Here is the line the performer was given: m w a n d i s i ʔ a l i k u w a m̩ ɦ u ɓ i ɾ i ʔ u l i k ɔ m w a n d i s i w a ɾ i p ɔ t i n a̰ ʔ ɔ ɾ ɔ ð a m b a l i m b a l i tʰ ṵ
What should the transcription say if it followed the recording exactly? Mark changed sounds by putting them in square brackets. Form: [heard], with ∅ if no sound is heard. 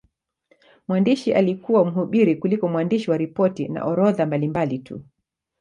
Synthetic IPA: m w a n d i [ʃ] i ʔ a l i k u w a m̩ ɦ u ɓ i ɾ i [k] u l i k ɔ m w a n d i [ʃ] i w a ɾ i p ɔ t i n a̰ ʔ ɔ ɾ ɔ ð a m b a l i m b a l i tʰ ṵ